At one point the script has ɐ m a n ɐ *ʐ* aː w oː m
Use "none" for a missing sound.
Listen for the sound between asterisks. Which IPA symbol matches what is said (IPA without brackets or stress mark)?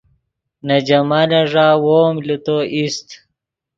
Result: ʐ